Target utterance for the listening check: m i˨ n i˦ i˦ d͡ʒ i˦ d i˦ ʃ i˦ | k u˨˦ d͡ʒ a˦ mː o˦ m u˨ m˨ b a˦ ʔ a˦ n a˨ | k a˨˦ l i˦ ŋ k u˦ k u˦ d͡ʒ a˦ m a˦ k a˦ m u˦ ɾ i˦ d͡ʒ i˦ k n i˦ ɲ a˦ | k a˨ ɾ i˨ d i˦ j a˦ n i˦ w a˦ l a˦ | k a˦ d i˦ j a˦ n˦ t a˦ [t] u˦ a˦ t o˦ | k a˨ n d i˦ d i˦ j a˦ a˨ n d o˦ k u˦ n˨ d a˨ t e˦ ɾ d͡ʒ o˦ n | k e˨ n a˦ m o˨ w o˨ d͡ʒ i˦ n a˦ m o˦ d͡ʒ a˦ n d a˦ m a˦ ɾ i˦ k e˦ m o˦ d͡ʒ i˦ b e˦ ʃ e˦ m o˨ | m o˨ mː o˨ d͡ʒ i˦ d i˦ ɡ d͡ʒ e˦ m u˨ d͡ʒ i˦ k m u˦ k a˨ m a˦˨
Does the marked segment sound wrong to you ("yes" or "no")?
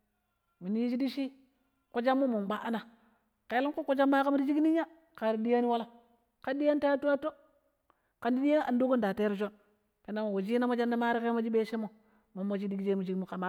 no